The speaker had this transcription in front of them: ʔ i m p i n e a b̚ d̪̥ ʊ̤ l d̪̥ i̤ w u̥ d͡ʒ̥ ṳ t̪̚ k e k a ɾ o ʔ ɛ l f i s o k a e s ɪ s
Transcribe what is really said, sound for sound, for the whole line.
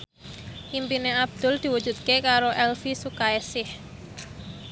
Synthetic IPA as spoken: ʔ i m p i n e a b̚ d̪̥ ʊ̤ l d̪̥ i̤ w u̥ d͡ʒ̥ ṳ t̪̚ k e k a ɾ o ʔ ɛ l f i s u k a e s ɪ h